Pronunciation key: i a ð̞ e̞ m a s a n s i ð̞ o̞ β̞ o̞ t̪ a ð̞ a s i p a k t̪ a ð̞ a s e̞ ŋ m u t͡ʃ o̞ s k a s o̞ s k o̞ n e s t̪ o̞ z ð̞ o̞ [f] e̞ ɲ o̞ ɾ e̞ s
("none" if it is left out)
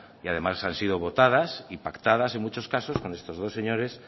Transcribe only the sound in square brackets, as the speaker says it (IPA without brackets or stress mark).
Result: s